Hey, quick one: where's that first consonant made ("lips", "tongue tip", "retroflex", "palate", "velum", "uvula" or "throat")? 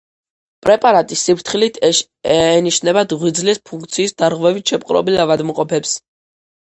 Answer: lips